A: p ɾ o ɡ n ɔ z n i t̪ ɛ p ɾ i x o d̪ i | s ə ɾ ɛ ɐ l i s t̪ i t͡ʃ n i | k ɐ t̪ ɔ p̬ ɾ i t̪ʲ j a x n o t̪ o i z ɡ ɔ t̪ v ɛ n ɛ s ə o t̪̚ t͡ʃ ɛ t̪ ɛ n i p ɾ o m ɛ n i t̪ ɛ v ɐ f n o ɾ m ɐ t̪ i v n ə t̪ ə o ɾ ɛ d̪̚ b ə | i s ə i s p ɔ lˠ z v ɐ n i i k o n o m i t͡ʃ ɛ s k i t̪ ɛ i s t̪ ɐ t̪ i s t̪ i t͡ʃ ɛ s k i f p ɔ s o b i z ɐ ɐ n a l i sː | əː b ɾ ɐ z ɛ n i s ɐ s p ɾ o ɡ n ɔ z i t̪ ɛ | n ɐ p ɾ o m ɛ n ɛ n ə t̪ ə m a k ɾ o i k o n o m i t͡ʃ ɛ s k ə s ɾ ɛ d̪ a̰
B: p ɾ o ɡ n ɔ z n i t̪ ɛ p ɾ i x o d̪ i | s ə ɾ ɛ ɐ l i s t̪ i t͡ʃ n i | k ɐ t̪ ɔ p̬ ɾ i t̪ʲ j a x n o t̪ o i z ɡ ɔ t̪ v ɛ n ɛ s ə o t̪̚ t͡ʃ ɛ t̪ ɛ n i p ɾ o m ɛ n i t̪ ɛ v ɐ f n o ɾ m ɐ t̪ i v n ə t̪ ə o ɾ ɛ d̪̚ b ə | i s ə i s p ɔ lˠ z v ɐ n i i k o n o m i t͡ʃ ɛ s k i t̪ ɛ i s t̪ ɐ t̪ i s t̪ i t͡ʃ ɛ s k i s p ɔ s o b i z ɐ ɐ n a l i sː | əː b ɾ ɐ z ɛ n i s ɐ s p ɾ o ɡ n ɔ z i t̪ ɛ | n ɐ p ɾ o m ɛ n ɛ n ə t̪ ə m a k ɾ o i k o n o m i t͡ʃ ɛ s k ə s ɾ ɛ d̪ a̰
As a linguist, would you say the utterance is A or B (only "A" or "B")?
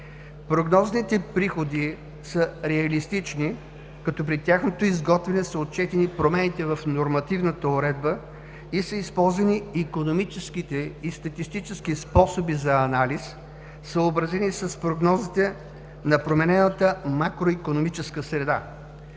B